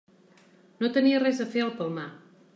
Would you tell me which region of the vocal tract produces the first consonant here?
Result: tongue tip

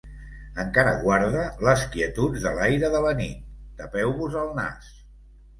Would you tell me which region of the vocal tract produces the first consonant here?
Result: velum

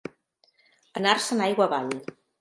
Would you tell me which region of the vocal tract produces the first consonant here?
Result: tongue tip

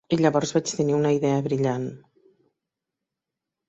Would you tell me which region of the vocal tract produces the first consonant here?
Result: palate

